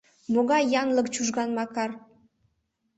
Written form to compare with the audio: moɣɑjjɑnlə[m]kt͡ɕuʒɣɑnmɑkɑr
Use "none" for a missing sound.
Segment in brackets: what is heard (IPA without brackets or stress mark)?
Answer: none